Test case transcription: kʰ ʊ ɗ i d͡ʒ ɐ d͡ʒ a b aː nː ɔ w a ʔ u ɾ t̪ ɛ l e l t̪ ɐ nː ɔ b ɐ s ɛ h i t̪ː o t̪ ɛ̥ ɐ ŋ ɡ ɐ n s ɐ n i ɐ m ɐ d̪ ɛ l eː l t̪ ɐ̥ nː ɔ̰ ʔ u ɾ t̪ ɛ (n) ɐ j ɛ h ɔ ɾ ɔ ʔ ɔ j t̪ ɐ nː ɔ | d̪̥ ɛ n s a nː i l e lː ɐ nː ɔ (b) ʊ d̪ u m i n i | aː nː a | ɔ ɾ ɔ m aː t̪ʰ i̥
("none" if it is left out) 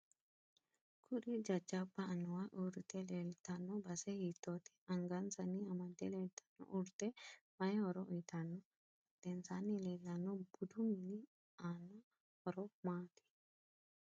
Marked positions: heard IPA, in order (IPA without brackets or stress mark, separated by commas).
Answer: m, b